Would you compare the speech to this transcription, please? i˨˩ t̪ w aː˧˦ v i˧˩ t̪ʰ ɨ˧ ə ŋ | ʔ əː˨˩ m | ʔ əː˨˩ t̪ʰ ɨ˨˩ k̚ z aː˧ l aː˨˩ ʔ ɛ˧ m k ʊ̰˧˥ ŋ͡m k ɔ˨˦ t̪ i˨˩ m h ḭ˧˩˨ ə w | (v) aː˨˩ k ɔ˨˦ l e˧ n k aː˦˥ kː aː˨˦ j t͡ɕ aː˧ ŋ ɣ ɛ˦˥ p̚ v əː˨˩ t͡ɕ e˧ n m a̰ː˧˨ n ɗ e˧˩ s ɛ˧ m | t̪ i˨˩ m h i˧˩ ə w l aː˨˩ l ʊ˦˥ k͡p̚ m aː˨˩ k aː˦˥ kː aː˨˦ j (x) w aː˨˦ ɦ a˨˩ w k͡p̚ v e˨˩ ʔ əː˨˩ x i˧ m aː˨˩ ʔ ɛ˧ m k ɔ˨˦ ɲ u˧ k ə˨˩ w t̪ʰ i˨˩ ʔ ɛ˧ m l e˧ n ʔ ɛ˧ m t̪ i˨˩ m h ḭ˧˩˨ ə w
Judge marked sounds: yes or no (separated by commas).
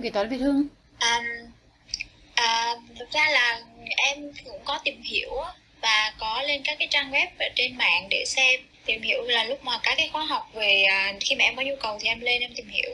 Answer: yes, yes